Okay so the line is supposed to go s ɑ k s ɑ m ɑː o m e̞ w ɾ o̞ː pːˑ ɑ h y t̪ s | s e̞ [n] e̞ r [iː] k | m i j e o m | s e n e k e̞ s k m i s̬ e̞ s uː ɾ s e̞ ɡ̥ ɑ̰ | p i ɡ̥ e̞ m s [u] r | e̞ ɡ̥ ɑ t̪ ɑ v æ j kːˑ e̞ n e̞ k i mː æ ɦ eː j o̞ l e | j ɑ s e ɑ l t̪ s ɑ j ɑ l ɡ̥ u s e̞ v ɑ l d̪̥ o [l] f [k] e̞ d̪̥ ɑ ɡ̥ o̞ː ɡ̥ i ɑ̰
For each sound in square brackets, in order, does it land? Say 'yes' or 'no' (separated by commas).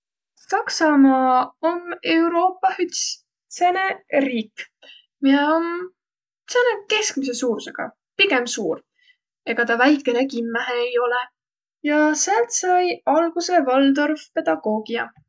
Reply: yes, yes, no, no, no